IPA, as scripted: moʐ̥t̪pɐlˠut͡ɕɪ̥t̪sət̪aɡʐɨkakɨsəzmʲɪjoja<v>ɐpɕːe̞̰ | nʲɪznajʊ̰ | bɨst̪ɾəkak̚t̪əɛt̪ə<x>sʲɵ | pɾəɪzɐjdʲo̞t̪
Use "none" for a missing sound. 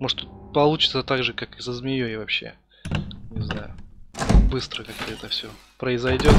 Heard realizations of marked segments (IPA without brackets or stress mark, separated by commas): v, f